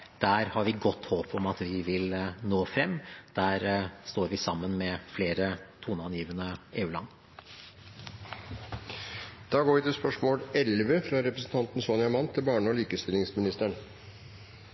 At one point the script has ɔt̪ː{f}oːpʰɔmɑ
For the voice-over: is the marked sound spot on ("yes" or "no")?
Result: no